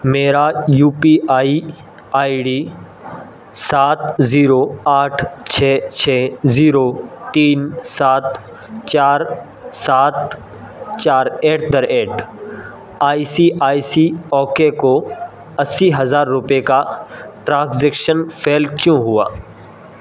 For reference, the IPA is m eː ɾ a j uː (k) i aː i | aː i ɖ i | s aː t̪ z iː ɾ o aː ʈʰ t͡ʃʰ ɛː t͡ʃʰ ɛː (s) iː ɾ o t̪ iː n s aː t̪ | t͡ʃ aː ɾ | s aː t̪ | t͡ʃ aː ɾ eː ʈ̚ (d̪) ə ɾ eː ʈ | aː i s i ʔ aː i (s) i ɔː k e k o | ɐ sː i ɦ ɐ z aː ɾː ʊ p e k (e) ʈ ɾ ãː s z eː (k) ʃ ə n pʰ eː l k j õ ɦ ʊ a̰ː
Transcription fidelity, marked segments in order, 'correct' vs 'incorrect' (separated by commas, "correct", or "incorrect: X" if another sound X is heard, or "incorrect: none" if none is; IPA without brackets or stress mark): incorrect: p, incorrect: z, correct, correct, incorrect: a, correct